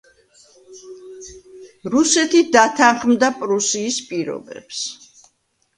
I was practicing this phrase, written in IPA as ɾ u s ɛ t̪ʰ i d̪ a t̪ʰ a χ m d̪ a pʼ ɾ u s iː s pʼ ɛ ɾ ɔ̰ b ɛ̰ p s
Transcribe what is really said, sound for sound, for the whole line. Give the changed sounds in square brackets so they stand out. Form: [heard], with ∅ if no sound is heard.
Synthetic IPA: ɾ u s ɛ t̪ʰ i d̪ a t̪ʰ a χ m d̪ a pʼ ɾ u s iː s pʼ [i] ɾ ɔ̰ b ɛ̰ p s